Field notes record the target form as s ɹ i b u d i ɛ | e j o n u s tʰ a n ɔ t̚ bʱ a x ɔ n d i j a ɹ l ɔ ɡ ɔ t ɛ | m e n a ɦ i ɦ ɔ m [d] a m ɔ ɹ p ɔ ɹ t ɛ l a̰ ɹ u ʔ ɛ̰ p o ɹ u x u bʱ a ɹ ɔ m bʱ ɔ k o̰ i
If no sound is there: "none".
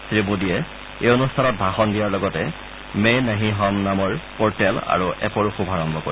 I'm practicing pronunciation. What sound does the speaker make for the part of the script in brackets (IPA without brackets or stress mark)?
n